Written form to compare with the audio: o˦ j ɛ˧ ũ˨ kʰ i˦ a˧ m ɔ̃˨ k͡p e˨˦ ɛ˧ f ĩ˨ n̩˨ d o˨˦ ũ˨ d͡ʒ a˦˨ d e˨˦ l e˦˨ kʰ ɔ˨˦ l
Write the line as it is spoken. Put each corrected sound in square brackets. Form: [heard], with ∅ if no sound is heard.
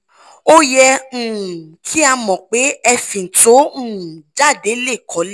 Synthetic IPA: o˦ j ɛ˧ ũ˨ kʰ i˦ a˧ m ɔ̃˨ k͡p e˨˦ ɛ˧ f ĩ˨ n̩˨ [t] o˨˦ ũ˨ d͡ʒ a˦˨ d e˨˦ l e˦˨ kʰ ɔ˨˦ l